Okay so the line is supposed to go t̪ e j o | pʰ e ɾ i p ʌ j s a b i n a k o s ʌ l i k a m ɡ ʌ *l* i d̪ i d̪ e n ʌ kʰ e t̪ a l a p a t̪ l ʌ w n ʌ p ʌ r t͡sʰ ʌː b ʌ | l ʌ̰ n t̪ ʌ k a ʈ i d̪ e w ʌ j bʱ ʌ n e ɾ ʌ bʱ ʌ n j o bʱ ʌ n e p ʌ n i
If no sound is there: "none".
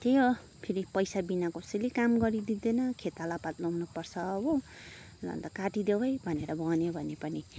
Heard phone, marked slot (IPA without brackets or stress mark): ɾ